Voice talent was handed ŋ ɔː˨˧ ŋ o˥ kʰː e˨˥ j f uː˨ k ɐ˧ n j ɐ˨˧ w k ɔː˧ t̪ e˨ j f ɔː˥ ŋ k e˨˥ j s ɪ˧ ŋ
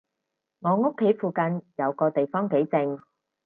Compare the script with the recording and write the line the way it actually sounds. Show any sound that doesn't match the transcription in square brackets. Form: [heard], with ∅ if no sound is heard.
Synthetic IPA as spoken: ŋ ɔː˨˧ ŋ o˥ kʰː e˨˥ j f uː˨ k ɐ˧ n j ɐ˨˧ w k ɔː˧ t̪ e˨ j f ɔː˥ ŋ k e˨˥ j [t͡s] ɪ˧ ŋ